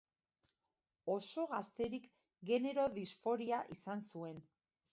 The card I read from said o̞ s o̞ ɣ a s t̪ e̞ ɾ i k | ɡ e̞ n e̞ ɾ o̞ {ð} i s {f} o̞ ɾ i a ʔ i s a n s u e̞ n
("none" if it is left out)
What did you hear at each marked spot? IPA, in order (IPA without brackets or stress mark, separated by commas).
ð, f